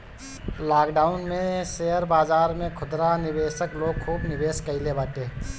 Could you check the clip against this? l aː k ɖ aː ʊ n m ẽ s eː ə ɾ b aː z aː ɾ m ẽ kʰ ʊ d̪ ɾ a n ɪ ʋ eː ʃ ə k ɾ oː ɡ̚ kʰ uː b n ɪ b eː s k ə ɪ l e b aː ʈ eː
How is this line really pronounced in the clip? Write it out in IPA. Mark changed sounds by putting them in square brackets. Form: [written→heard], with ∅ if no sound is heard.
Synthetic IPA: l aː k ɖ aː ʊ n m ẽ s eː ə ɾ b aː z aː ɾ m ẽ kʰ ʊ d̪ ɾ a n ɪ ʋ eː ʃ ə k [ɾ→l] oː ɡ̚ kʰ uː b n ɪ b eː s k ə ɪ l e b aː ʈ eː